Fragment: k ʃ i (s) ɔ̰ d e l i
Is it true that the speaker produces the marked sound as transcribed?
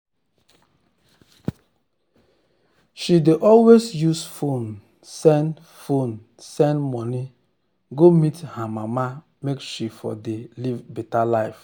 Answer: no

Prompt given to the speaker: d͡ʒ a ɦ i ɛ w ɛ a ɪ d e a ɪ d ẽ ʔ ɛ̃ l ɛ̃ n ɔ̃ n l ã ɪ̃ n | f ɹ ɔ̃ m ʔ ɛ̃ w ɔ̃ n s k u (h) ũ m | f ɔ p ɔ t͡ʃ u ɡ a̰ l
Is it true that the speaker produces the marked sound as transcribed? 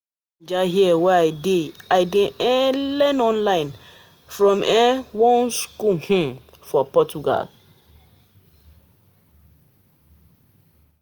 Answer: yes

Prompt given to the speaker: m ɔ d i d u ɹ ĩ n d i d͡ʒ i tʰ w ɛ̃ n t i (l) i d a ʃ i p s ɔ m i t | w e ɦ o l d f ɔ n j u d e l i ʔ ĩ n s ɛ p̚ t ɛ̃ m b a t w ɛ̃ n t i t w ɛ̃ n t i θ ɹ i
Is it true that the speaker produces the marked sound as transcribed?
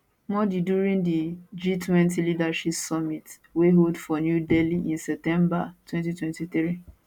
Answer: yes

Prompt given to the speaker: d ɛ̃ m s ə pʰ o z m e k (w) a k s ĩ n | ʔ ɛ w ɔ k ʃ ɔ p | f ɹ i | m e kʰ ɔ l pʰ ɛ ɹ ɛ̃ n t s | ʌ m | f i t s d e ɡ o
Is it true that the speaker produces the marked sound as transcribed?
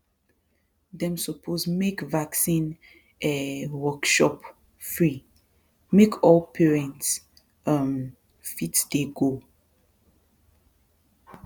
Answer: no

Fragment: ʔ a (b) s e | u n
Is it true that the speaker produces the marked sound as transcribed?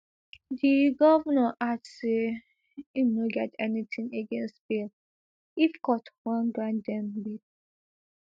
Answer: no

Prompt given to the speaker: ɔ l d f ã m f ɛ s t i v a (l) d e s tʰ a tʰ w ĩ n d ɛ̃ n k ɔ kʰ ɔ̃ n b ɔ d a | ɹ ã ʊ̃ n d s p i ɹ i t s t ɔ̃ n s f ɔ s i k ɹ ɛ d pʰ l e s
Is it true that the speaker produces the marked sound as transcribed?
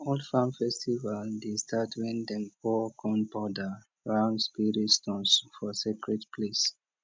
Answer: yes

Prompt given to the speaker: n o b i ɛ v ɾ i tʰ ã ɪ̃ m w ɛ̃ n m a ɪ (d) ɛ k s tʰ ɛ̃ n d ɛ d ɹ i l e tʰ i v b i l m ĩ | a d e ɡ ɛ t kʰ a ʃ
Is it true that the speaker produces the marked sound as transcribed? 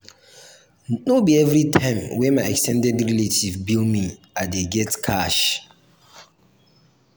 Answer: no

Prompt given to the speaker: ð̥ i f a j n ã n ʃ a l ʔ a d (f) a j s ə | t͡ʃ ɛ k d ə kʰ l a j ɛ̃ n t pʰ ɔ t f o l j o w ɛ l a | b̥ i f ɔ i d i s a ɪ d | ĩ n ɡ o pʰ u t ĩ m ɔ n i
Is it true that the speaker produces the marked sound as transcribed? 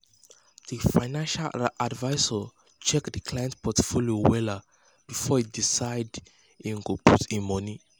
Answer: no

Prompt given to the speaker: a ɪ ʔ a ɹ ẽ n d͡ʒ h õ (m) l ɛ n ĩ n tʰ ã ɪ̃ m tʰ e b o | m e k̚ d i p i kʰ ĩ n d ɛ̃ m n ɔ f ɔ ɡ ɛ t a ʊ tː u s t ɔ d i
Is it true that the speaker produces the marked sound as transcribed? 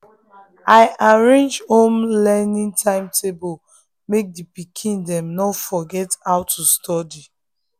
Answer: yes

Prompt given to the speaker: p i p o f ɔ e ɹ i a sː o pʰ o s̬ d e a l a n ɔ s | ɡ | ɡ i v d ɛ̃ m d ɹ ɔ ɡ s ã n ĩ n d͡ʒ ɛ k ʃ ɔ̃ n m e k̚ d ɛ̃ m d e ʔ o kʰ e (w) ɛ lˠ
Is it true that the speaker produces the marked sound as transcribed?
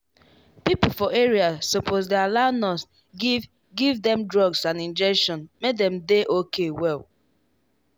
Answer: yes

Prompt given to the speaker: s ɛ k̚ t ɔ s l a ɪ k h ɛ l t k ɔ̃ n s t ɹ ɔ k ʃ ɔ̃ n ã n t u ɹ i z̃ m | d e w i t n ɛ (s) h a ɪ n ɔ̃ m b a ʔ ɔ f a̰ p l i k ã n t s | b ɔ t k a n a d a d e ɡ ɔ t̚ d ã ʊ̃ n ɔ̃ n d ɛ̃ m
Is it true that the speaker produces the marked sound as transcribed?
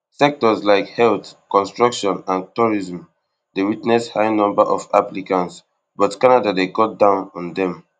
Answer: yes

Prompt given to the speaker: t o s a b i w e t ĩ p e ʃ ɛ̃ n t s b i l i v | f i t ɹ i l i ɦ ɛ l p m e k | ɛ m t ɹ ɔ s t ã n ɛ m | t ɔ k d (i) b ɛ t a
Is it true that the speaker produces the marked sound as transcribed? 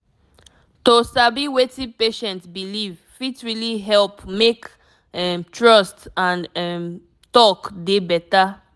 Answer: no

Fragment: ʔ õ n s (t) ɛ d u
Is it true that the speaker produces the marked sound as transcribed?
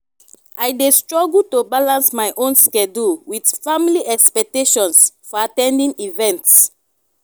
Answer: no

